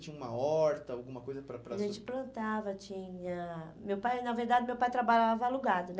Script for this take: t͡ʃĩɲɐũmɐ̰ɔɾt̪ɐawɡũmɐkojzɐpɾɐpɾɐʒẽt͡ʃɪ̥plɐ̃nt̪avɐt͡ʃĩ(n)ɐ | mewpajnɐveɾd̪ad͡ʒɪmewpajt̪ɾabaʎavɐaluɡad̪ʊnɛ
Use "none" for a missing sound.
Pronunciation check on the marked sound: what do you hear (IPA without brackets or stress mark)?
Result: ɲ